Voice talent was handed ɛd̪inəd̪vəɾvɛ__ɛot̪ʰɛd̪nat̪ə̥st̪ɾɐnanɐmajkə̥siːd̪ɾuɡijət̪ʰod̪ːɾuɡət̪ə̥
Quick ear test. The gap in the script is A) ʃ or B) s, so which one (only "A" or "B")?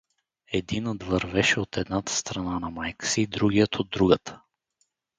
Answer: A